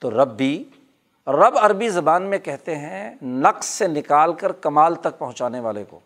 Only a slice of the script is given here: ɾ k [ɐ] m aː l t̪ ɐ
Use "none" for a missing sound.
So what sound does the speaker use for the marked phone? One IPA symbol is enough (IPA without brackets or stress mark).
ɐ